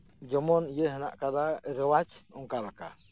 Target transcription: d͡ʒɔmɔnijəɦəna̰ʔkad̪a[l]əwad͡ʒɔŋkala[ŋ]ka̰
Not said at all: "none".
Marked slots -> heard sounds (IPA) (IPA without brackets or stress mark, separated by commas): ɾ, none